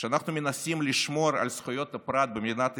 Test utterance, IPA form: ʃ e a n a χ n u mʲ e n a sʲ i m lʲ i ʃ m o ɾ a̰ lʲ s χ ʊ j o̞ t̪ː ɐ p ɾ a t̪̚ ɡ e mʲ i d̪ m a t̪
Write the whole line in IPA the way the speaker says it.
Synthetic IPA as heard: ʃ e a n a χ n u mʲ e n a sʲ i m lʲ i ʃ m o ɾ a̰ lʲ s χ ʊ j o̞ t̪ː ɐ p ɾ a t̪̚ b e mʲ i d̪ n a t̪